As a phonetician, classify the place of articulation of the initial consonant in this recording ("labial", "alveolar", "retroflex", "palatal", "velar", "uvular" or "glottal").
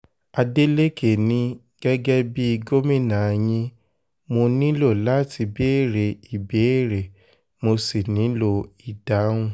alveolar